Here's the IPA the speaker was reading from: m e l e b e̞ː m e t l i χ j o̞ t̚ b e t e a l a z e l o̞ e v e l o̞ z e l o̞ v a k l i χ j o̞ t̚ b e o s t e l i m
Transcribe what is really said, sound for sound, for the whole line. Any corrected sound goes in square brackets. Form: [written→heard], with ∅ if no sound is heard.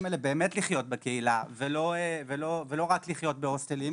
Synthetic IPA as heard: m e l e b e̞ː m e t l i χ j o̞ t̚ b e [t→k] e [a→i] l a [z→v] e l o̞ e v e l o̞ [z→v] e l o̞ [v→ʁ] a k l i χ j o̞ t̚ b e o s t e l i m